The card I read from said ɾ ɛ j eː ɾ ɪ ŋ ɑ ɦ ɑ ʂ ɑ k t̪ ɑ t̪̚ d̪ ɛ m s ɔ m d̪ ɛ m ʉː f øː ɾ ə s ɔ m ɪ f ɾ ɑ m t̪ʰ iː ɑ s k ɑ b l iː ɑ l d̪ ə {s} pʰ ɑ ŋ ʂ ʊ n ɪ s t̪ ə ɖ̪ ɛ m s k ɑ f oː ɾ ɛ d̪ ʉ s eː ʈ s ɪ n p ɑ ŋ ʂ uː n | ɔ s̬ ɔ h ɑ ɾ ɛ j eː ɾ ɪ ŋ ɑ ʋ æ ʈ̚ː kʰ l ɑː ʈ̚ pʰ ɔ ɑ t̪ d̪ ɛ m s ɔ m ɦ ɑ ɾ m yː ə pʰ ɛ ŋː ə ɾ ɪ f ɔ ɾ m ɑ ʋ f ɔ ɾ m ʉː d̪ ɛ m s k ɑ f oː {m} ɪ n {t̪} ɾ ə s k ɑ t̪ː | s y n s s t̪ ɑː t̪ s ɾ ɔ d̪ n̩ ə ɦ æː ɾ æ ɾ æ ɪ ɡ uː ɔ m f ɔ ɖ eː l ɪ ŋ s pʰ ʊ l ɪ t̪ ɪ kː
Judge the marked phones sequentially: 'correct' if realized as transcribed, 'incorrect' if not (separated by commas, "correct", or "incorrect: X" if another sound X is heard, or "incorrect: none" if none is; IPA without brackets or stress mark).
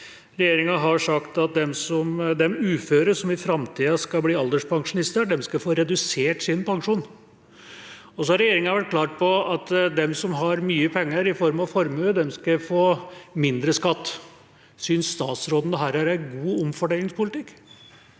incorrect: ʂ, correct, incorrect: d̪